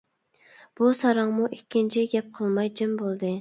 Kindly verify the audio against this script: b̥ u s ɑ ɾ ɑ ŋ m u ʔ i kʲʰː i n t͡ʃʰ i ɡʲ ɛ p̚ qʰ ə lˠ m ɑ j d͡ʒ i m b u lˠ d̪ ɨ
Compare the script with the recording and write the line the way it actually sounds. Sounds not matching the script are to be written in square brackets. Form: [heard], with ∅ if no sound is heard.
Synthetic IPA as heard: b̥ u s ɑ ɾ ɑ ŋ m u ʔ i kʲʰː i n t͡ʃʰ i ɡʲ ɛ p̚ qʰ ə lˠ m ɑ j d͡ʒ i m b [o] lˠ d̪ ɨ

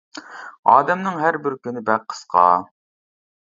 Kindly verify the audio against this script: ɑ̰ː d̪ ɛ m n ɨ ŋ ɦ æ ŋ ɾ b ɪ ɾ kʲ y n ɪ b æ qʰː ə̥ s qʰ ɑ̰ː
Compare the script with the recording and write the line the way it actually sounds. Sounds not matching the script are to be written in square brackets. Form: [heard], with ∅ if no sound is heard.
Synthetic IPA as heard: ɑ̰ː d̪ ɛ m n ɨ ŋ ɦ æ [∅] ɾ b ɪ ɾ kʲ y n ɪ b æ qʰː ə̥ s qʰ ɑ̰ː

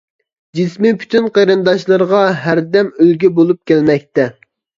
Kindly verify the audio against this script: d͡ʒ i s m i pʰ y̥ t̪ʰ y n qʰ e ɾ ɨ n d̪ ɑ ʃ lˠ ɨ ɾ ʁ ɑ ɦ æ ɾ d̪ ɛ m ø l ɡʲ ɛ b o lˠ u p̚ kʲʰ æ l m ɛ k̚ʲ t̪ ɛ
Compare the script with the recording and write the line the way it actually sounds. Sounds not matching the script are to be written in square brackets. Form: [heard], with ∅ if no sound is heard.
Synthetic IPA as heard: d͡ʒ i s m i pʰ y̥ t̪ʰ y n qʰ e ɾ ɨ n d̪ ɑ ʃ lˠ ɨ ɾ ʁ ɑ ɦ æ ɾ d̪ ɛ m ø l ɡʲ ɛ b o lˠ u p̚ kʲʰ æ l m ɛ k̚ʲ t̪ ɛ

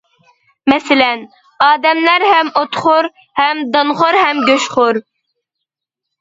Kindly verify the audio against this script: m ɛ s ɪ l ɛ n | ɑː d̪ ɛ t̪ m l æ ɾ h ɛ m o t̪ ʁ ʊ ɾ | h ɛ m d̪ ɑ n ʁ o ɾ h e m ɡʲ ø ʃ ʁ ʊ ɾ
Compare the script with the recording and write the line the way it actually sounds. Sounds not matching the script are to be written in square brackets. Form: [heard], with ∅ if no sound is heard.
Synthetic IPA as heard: m ɛ s ɪ l ɛ n | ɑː d̪ ɛ [∅] m l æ ɾ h ɛ m o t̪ [χ] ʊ ɾ | h ɛ m d̪ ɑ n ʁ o ɾ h [ɛ] m ɡʲ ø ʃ [χ] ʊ ɾ

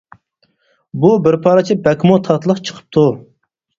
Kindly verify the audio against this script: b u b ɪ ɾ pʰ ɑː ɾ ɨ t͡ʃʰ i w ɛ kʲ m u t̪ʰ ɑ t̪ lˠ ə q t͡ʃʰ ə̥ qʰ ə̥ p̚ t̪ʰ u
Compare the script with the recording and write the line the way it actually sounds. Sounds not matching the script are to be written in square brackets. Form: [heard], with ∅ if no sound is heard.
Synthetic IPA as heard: b u b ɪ ɾ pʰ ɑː ɾ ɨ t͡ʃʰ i [b] ɛ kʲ m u t̪ʰ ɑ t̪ lˠ ə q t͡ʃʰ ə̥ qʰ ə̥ p̚ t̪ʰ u

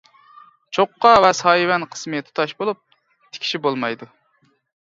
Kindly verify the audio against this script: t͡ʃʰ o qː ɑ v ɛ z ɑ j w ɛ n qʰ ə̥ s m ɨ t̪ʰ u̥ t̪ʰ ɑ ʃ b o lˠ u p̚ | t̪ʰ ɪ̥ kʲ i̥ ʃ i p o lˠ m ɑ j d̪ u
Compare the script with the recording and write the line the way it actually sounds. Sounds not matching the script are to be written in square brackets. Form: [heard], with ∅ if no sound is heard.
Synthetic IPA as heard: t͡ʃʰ o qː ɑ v ɛ [s] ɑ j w ɛ n qʰ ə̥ s m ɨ t̪ʰ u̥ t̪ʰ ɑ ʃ b o lˠ u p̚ | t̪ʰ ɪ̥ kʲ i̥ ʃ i [b] o lˠ m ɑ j d̪ u

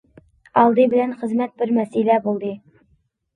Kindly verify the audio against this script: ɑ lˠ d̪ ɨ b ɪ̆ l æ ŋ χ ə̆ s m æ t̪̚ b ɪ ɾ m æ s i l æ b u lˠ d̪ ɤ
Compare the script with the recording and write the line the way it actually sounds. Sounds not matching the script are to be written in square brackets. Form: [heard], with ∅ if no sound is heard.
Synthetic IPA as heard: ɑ lˠ d̪ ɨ b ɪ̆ l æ [n] χ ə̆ [z] m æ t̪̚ b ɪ ɾ m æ s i l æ b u lˠ d̪ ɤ

